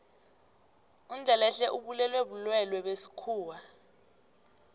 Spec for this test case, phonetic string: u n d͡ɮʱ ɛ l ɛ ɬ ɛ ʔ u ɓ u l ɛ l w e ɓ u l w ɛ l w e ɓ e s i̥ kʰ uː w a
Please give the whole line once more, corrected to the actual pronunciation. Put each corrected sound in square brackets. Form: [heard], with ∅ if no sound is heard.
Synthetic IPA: u n d͡ɮʱ ɛ l ɛ ɬ ɛ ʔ u ɓ u l ɛ l w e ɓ u l w ɛ l w [ɛ] ɓ e s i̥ kʰ uː w a